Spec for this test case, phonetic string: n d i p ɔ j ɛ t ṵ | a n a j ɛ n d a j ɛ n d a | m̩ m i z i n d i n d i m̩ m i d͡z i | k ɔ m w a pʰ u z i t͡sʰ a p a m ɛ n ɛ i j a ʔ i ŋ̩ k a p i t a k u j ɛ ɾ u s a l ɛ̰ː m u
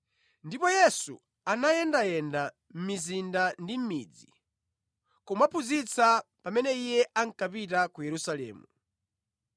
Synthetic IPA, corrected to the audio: n d i p ɔ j ɛ s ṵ | a n a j ɛ n d a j ɛ n d a | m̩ m i z i n d a n d i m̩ m i d͡z i | k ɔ m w a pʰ u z i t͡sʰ a p a m ɛ n ɛ i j ɛ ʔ a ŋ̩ k a p i t a k u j ɛ ɾ u s a l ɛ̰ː m u